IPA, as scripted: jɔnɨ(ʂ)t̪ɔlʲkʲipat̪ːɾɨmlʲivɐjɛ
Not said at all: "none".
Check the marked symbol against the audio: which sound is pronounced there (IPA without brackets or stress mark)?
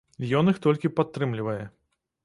x